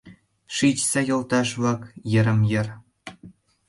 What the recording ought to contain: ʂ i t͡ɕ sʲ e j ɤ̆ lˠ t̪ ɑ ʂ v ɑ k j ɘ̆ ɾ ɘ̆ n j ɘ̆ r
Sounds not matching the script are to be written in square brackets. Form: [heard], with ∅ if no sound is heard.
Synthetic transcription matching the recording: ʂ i t͡ɕ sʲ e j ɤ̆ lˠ t̪ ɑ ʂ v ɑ k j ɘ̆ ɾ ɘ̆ [m] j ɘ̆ r